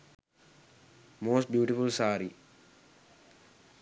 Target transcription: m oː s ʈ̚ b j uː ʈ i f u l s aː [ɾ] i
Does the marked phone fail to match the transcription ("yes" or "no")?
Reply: no